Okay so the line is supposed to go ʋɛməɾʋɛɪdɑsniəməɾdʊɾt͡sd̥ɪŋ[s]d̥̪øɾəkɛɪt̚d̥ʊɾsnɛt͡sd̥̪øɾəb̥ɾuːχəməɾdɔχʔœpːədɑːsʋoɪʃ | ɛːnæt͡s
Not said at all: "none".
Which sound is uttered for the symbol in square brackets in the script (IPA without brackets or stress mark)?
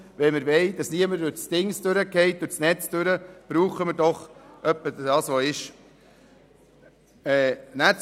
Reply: s